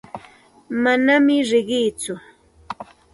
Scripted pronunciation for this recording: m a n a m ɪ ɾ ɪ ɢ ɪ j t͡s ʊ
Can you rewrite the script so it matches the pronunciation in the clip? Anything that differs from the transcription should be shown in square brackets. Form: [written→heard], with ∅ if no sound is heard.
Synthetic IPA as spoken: m a n a m ɪ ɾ ɪ ɢ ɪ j t͡s ʊ